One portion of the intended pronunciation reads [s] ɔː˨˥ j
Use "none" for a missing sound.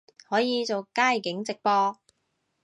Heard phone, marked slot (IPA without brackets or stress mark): h